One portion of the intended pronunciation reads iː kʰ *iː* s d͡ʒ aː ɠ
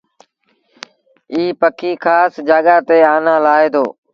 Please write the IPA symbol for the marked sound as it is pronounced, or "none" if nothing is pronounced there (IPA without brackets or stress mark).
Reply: aː